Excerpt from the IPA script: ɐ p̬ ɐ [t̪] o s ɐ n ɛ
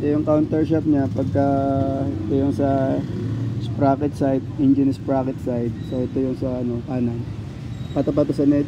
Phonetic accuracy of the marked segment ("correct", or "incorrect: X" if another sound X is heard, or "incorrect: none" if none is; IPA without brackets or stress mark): correct